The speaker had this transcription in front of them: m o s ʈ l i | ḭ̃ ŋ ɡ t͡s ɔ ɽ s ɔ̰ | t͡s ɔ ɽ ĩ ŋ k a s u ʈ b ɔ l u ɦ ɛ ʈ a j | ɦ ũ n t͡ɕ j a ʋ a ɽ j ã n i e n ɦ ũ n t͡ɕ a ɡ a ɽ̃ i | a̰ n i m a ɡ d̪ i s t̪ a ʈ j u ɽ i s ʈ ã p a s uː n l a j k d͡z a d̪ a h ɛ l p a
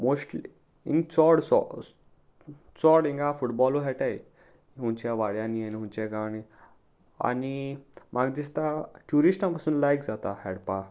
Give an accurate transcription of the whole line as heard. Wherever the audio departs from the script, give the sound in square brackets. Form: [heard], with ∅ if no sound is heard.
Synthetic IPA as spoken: m o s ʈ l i | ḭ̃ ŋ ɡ t͡s ɔ ɽ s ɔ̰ | t͡s ɔ ɽ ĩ ŋ [ɡ] a [f] u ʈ b ɔ l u ɦ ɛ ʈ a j | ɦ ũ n t͡ɕ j a ʋ a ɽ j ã n i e n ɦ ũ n t͡ɕ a ɡ a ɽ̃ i | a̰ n i m a ɡ d̪ i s t̪ a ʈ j u [ɾ] i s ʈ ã p a s uː n l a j k d͡z a [t̪] a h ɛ [ɽ] p a